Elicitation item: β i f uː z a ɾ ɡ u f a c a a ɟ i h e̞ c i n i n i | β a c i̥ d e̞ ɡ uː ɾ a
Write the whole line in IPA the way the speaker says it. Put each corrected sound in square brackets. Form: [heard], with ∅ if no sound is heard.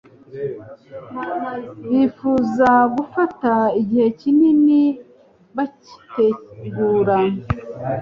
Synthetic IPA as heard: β i f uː z a [∅] ɡ u f a [t] a [i] ɟ i h e̞ c i n i n i | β a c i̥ [t] e̞ ɡ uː ɾ a